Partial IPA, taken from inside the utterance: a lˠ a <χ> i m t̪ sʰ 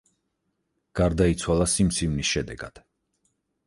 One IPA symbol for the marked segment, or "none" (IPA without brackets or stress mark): s